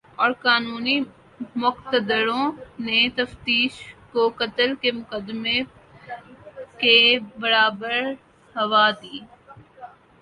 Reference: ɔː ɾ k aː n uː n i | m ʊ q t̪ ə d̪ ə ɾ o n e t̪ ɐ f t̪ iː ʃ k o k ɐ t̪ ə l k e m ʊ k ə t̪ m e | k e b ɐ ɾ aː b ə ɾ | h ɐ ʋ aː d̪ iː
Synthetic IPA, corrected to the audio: ɔː ɾ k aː n uː n i | m ʊ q t̪ ə d̪ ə ɾ õ n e t̪ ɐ f t̪ iː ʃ k o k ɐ t̪ ə l k e m ʊ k ə d̪ m e | k e b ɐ ɾ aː b ə ɾ | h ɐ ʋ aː d̪ iː